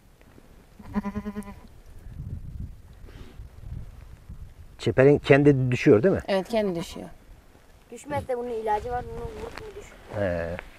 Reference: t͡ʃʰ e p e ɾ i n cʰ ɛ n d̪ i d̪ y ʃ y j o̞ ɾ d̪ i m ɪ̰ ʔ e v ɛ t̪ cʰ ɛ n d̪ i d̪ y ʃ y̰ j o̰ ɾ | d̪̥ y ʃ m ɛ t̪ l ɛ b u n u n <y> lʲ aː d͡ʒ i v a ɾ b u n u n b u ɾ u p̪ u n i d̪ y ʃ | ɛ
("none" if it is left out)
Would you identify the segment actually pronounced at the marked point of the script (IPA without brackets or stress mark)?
i